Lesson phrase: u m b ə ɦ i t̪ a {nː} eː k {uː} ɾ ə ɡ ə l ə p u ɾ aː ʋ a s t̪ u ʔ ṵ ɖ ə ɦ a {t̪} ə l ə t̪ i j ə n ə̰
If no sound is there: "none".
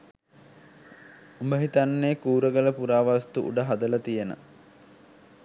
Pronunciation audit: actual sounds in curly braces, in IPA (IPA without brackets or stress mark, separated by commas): nː, uː, d̪